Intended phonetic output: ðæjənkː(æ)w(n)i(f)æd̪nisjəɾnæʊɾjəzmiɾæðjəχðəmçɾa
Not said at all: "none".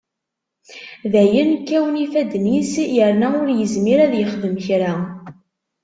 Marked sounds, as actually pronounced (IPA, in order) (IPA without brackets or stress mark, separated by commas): æ, n, f